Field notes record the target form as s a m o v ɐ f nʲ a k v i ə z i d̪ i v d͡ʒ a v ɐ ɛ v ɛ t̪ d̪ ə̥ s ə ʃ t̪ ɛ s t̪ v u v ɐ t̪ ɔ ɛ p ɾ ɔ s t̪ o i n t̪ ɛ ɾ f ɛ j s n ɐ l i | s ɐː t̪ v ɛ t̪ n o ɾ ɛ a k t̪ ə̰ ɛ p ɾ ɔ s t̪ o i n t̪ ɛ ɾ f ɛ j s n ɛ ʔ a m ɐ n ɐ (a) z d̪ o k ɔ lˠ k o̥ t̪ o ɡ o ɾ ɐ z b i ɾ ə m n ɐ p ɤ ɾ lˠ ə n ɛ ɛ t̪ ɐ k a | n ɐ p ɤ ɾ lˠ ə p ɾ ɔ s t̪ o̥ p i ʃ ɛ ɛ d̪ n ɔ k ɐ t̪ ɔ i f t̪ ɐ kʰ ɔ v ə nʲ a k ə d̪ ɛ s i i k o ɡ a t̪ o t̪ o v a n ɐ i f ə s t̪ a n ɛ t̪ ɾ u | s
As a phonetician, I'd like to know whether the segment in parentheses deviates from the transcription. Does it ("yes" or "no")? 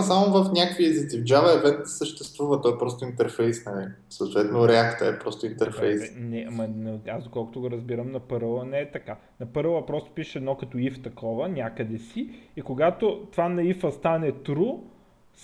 no